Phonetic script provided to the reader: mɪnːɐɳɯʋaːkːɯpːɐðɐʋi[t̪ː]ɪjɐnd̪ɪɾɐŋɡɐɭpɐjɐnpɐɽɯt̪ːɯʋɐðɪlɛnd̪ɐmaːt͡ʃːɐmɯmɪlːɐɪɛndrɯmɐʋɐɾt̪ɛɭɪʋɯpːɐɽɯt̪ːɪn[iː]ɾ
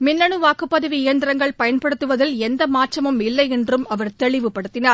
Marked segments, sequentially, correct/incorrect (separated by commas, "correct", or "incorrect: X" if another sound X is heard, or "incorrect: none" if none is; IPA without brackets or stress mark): incorrect: none, incorrect: aː